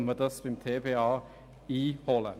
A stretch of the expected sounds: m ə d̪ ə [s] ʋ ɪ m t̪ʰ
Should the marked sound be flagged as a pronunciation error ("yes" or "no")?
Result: no